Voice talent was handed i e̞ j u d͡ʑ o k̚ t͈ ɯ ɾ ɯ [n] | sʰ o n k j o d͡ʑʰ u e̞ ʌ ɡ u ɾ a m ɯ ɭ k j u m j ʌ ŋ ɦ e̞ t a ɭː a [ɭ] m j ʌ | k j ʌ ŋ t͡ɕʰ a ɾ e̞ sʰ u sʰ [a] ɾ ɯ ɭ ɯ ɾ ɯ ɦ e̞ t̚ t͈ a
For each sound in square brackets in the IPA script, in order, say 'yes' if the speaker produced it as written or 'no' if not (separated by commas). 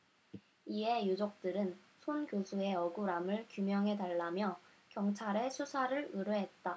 yes, no, yes